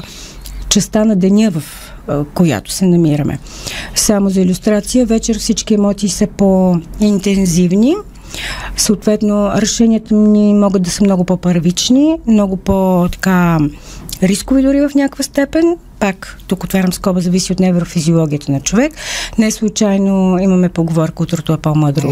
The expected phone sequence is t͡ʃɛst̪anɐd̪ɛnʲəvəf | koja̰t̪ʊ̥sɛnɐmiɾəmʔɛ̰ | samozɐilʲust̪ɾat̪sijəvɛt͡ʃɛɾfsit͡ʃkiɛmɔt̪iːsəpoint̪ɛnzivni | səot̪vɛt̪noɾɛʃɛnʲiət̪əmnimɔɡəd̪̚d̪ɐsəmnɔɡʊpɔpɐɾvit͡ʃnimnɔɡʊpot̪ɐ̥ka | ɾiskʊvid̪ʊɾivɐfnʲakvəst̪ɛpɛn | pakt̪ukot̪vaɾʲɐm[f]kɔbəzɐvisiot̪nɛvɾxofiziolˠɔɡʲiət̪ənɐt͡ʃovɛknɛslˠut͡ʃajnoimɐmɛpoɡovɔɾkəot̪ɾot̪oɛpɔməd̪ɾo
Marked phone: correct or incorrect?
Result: incorrect